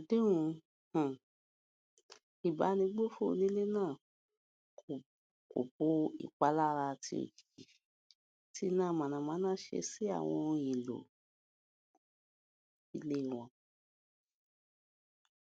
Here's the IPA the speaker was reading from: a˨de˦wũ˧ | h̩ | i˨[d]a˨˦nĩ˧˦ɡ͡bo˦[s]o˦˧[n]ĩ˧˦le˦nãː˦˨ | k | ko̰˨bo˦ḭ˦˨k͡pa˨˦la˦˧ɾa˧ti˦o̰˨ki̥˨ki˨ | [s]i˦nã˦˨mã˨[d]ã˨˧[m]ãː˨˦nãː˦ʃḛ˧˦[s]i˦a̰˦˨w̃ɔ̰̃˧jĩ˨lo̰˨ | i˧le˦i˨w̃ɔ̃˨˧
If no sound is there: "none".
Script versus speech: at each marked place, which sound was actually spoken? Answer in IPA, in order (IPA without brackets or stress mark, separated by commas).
b, f, n, t, n, m, s